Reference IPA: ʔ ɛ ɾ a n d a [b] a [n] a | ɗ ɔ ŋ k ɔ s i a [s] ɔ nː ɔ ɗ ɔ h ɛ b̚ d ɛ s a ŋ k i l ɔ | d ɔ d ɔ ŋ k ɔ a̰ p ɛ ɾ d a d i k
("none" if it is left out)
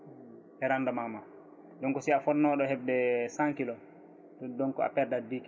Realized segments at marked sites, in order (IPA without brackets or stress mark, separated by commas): m, m, f